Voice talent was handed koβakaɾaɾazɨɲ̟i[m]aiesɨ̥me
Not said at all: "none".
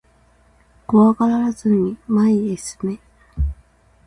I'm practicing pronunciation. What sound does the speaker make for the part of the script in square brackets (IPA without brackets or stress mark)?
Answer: m